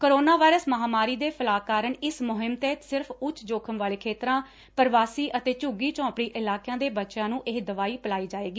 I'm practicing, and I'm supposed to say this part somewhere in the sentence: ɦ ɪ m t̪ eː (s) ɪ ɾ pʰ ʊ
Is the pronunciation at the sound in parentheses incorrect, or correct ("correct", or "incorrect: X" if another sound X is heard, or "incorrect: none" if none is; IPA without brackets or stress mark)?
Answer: correct